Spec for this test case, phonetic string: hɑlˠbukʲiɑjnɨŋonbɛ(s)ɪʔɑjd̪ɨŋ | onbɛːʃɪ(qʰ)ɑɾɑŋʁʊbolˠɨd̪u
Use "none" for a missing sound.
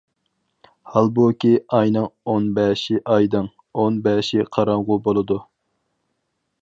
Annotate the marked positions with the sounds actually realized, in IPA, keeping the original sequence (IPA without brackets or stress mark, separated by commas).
ʃ, qʰ